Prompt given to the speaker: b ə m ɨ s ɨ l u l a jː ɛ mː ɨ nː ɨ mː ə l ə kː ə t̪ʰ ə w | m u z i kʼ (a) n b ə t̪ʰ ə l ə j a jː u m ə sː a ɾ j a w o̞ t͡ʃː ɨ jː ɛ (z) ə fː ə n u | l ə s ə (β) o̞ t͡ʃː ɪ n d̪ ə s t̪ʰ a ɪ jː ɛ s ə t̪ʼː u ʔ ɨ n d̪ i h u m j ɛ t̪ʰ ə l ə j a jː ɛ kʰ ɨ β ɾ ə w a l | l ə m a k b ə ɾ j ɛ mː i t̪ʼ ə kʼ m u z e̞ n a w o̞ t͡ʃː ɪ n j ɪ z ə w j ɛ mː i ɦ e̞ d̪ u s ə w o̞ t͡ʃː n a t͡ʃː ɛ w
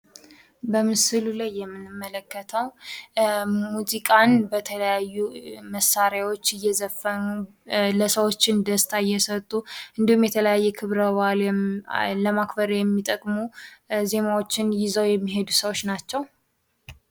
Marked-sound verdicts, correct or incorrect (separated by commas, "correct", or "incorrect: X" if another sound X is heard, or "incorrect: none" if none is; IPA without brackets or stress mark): correct, correct, incorrect: w